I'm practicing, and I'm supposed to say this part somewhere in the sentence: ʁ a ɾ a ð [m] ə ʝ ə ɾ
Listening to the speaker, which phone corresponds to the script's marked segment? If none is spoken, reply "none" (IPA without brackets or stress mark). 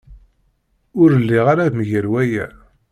m